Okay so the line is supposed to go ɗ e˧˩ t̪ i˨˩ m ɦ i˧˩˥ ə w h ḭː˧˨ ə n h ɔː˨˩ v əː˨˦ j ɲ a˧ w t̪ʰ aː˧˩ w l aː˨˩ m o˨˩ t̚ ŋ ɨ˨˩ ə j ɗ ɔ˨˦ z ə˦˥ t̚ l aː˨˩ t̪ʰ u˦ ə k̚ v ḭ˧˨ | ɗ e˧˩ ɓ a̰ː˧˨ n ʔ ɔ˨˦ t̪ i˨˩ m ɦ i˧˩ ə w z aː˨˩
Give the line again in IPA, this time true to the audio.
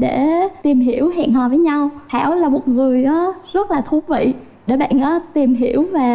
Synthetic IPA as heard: ɗ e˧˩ t̪ i˨˩ m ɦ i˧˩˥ ə w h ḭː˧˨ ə n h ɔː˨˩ v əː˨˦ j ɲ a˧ w t̪ʰ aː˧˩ w l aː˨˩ m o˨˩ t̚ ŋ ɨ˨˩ ə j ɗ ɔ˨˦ z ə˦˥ t̚ l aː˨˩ t̪ʰ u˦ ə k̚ v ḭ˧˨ | ɗ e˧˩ ɓ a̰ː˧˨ n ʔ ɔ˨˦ t̪ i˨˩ m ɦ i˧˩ ə w v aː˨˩